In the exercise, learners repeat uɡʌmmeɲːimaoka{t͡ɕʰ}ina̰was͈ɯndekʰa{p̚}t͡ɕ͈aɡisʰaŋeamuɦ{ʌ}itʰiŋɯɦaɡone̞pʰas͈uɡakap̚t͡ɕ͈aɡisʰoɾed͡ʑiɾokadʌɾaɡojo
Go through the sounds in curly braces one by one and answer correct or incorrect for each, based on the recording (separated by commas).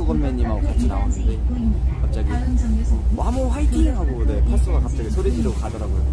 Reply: correct, correct, incorrect